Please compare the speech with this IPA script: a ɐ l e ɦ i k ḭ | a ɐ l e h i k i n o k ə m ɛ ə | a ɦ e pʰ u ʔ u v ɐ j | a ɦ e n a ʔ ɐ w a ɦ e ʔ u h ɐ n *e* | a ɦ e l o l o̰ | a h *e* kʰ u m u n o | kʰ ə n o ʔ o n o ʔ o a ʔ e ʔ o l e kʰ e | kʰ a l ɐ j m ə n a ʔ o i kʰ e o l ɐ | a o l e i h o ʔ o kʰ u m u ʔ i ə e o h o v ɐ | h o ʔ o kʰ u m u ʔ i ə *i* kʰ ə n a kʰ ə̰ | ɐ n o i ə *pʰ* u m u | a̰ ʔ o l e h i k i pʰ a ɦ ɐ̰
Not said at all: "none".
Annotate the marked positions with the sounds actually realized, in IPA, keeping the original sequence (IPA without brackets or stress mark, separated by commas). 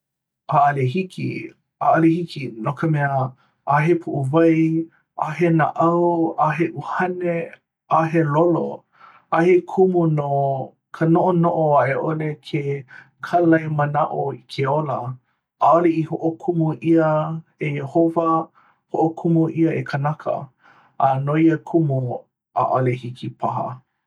e, e, e, kʰ